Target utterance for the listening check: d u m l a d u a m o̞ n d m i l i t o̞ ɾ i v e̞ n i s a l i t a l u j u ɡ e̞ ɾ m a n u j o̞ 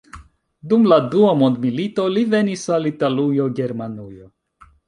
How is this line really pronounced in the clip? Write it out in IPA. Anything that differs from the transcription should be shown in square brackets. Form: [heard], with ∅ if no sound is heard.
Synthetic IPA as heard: d u m l a d u a m o̞ n d m i l i t o̞ [l] i v e̞ n i s a l i t a l u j [o] ɡ e̞ ɾ m a n u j o̞

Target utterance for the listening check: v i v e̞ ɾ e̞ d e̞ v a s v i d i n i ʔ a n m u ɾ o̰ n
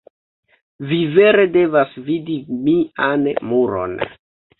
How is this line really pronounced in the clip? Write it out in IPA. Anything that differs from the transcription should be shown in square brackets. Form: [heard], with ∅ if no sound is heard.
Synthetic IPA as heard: v i v e̞ ɾ e̞ d e̞ v a s v i d i [m] i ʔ a n m u ɾ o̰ n

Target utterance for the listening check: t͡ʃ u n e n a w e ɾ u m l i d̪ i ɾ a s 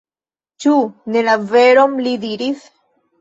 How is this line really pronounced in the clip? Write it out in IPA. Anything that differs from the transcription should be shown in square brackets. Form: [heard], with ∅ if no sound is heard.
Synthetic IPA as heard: t͡ʃ u n e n a [v] e ɾ [o] m l i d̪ i ɾ [i] s

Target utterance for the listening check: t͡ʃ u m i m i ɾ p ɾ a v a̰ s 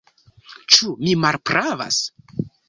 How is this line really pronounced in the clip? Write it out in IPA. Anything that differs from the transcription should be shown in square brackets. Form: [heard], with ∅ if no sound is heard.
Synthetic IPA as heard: t͡ʃ u m i m [a] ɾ p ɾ a v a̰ s

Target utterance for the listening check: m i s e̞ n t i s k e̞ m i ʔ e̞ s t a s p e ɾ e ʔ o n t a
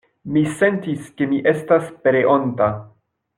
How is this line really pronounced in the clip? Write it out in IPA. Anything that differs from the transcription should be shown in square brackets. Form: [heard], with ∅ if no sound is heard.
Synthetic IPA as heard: m i s e̞ n t i s k e̞ m i ʔ e̞ s t a s p e ɾ e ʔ o n t a

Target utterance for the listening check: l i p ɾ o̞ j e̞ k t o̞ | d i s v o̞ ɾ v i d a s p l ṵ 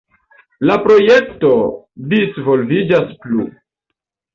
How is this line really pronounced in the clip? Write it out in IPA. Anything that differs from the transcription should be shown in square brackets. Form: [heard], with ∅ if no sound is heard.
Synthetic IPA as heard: l [a] p ɾ o̞ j e̞ k t o̞ | d i s v o̞ [l] v i [d͡ʒ] a s p l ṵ

